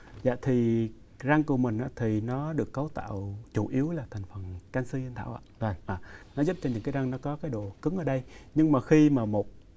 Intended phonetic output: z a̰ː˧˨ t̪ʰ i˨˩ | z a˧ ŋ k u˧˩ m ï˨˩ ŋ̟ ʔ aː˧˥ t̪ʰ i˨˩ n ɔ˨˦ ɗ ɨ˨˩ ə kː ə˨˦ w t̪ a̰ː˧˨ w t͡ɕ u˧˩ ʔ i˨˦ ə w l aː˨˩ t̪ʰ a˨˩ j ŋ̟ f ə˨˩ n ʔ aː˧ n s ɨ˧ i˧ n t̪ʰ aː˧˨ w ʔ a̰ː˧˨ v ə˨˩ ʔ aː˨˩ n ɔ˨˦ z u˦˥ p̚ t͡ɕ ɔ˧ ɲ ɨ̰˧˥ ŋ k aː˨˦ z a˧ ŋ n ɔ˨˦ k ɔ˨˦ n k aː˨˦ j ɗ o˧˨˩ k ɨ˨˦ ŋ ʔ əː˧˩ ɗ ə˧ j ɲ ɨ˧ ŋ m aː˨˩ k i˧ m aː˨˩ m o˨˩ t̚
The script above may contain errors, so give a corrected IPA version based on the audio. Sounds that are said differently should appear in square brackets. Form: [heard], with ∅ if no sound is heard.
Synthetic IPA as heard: z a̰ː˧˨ t̪ʰ i˨˩ | z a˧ ŋ k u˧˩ m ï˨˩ ŋ̟ ʔ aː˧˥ t̪ʰ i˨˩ n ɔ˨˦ ɗ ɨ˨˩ ə kː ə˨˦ w t̪ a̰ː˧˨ w t͡ɕ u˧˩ ʔ i˨˦ ə w l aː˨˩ t̪ʰ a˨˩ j ŋ̟ f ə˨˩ n [k] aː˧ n s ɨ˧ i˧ n t̪ʰ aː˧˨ w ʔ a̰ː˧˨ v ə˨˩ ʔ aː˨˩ n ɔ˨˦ z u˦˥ p̚ t͡ɕ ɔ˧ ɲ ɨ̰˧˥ ŋ k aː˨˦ z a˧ ŋ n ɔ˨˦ k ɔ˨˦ [∅] k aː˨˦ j ɗ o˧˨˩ k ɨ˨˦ ŋ ʔ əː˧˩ ɗ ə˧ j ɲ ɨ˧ ŋ m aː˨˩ [x] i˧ m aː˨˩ m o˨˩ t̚

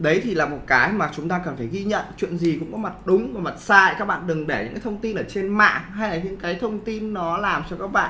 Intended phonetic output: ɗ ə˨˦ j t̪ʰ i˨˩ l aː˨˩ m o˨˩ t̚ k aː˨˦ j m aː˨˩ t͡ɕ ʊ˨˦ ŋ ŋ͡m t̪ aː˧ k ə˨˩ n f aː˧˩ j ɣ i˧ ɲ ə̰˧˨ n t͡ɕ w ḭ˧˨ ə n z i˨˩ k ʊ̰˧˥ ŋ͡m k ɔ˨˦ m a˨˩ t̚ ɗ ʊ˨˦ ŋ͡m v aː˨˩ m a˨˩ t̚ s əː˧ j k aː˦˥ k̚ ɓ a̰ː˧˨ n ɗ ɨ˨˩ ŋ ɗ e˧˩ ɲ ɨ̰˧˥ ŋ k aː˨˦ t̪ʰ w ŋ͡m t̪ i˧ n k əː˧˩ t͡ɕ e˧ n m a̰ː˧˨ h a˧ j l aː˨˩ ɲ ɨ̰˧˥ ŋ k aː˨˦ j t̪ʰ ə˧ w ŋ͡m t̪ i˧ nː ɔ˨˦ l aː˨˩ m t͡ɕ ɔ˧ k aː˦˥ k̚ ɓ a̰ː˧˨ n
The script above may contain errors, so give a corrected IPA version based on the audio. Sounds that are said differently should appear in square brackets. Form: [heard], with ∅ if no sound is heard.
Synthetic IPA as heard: ɗ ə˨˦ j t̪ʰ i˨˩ l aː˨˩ m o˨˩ t̚ k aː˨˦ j m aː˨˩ t͡ɕ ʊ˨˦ [∅] ŋ͡m t̪ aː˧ k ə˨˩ n f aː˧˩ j ɣ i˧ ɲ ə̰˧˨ n t͡ɕ w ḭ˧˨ ə n z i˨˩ k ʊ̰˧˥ ŋ͡m k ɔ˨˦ m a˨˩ t̚ ɗ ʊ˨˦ ŋ͡m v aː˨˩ m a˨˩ t̚ s [aː˧] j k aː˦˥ k̚ ɓ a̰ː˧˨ n ɗ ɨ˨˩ ŋ ɗ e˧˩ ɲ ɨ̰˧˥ ŋ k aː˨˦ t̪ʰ w ŋ͡m t̪ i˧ n [ʔ] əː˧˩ t͡ɕ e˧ n m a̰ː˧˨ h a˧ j l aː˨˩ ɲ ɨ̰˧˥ ŋ k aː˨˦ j t̪ʰ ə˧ w ŋ͡m t̪ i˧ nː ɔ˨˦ l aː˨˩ m t͡ɕ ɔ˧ k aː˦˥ k̚ ɓ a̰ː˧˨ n

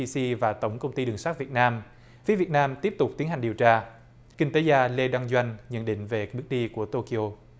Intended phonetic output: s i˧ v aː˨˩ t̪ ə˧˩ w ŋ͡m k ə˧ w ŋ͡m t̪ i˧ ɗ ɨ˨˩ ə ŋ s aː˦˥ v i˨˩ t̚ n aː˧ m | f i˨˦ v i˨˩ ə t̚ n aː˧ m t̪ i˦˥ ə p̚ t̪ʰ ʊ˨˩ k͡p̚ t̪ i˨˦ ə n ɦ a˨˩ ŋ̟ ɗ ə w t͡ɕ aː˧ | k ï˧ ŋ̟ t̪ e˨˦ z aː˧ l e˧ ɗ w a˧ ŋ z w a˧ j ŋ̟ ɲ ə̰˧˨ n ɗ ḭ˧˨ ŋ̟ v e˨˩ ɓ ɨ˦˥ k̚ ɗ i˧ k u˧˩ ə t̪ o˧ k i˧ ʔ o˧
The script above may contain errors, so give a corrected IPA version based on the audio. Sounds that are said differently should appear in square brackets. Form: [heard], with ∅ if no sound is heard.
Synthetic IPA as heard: s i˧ v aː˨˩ t̪ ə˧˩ w ŋ͡m k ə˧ w ŋ͡m t̪ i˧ ɗ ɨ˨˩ ə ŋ s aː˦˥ v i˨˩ t̚ n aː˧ m | f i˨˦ v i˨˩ ə t̚ n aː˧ m t̪ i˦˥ ə p̚ [t̪] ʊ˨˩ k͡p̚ t̪ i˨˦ ə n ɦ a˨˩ ŋ̟ ɗ ə w t͡ɕ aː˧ | k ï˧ ŋ̟ t̪ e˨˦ z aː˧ l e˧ ɗ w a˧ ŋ z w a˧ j ŋ̟ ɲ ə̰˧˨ n ɗ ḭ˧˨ ŋ̟ v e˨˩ ɓ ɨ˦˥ k̚ ɗ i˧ k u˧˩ ə t̪ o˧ k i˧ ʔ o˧

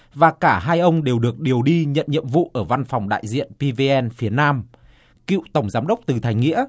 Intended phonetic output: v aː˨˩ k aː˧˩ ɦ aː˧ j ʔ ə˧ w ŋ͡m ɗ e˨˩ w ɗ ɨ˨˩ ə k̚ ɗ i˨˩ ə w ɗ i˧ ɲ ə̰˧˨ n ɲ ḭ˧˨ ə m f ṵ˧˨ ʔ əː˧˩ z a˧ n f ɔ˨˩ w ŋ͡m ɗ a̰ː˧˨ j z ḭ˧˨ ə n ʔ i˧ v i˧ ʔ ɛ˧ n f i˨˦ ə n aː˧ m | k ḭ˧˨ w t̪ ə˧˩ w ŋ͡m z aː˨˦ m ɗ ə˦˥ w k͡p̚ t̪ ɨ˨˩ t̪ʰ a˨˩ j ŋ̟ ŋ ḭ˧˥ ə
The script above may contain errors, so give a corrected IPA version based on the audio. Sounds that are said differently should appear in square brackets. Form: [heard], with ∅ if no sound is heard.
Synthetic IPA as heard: v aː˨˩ k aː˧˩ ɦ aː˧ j ʔ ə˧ w ŋ͡m ɗ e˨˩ w ɗ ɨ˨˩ ə k̚ ɗ i˨˩ ə w ɗ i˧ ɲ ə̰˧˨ n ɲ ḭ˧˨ ə m [v] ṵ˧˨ ʔ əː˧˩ [v] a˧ n f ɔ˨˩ w ŋ͡m ɗ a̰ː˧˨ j z ḭ˧˨ ə n [p] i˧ v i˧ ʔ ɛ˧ n f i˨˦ ə n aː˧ m | k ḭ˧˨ w t̪ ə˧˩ w ŋ͡m z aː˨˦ m ɗ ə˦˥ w k͡p̚ t̪ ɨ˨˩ t̪ʰ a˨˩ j ŋ̟ ŋ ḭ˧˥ ə

